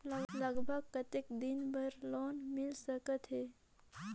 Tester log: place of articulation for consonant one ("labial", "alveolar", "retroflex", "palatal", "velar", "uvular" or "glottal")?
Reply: alveolar